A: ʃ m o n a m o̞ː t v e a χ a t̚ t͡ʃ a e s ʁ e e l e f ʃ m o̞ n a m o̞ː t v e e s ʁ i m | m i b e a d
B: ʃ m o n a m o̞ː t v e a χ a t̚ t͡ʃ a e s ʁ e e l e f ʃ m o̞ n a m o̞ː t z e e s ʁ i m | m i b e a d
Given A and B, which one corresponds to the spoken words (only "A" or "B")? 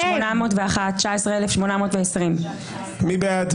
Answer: A